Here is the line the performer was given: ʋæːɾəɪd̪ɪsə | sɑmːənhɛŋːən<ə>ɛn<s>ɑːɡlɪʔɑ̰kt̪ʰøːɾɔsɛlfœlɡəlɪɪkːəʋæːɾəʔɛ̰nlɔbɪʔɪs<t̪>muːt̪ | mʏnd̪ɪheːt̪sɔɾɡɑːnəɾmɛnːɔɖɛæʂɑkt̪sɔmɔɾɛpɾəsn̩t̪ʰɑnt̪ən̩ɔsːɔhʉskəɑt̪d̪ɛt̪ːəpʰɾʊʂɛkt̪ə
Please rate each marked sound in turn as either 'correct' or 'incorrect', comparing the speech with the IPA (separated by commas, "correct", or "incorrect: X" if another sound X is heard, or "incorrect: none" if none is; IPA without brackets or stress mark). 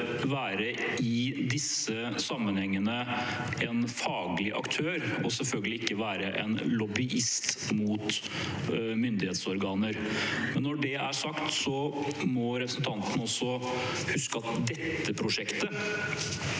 correct, incorrect: f, correct